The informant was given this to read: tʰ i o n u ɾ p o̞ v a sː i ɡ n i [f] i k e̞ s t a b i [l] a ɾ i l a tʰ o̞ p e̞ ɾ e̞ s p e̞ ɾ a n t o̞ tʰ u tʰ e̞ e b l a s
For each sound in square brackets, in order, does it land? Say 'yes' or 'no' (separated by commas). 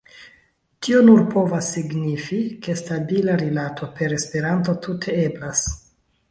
yes, yes